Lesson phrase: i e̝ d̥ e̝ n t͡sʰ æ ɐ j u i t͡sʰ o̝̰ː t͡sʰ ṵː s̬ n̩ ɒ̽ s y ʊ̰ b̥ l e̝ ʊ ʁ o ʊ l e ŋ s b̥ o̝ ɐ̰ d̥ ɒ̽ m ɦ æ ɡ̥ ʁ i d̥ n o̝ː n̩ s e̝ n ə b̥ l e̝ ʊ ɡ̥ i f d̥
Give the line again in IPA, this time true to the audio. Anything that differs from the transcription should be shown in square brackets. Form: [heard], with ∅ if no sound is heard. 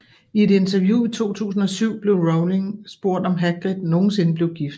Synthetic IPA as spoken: i e̝ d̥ e̝ n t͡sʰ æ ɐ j u i t͡sʰ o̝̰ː t͡sʰ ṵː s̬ n̩ ɒ̽ s y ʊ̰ b̥ l e̝ ʊ ʁ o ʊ l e ŋ s b̥ o̝ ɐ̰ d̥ ɒ̽ m ɦ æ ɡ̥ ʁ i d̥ n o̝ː n̩ s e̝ n ə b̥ l e̝ ʊ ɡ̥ i f d̥